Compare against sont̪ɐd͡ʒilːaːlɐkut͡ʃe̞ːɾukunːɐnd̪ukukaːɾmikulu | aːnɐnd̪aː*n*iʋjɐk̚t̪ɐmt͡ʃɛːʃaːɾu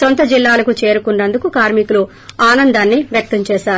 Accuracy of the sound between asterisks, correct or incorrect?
incorrect